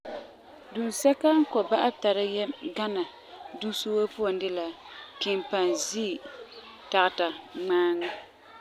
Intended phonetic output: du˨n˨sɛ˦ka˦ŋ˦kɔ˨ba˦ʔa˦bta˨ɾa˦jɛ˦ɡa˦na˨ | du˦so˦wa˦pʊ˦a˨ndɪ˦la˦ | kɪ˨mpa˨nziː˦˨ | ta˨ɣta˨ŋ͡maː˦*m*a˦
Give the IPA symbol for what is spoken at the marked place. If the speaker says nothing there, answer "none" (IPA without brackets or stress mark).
ŋ